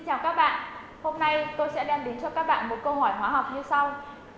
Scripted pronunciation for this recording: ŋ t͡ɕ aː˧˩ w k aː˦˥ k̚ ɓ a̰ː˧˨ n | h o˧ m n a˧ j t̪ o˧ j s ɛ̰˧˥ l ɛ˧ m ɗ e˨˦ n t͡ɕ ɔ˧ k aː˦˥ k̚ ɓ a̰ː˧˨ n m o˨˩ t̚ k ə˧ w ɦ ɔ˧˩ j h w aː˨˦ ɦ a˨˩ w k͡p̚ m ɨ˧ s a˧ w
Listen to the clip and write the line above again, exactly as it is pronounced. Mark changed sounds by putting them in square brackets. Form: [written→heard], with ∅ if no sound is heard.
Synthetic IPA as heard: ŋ t͡ɕ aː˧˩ w k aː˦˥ k̚ ɓ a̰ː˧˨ n | h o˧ m n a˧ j t̪ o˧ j s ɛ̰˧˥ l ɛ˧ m ɗ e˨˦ n t͡ɕ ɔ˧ k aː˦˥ k̚ ɓ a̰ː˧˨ n m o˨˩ t̚ k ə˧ w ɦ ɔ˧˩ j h w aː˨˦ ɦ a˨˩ w k͡p̚ [m→ɲ] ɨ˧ s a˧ w